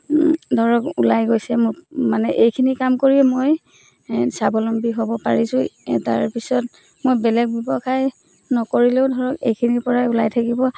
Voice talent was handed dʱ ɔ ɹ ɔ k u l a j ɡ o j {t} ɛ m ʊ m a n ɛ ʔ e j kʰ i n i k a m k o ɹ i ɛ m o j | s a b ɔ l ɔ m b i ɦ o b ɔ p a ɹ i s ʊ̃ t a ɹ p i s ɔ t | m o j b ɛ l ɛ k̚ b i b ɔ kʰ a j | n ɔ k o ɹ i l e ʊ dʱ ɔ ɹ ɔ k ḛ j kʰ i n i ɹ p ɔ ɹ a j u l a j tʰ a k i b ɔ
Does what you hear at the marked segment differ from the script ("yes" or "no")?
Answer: yes